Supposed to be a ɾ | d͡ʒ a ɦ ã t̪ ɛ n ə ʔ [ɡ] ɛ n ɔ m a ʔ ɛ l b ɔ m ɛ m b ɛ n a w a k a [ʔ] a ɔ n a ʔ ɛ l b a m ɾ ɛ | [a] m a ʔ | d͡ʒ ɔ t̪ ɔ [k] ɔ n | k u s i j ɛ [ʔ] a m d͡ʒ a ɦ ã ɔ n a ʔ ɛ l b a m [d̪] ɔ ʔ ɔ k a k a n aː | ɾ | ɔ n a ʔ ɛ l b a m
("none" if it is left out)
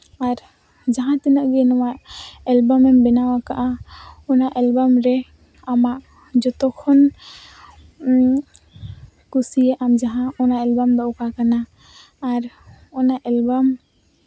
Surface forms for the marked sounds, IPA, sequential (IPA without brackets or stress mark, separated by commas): ɡ, ʔ, a, kʰ, ʔ, d̪